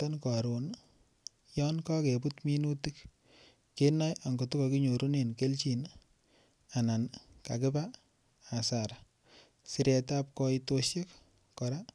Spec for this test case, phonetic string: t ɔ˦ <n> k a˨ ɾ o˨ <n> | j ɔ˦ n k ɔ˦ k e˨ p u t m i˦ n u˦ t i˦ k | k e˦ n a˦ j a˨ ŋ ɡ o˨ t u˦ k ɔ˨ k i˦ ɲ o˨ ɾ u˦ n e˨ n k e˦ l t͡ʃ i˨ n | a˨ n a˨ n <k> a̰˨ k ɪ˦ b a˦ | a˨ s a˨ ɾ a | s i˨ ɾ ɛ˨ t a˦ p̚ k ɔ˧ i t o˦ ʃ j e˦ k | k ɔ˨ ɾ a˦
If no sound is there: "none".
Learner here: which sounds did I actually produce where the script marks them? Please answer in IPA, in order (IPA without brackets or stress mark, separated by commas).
n, n, k